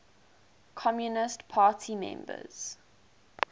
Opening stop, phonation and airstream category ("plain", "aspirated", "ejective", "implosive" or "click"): aspirated